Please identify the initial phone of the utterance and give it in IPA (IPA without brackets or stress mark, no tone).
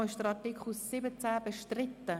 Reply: ɪ